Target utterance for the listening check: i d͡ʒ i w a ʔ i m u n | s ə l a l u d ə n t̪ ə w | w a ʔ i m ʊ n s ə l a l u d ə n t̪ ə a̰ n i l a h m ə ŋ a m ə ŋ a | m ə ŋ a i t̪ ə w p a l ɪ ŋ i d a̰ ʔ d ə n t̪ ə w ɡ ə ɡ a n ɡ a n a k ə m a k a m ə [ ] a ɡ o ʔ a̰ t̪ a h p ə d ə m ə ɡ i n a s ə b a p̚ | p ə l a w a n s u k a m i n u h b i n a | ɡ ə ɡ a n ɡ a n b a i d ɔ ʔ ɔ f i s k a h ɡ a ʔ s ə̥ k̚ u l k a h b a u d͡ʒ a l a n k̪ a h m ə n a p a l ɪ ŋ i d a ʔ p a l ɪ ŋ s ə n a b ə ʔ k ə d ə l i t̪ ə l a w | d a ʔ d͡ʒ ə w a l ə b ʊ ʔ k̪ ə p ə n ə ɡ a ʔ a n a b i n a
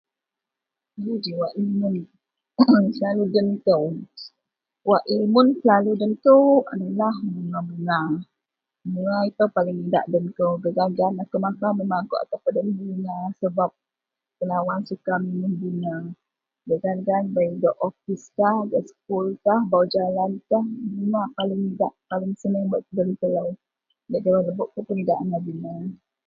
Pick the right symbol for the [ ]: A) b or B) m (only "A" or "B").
B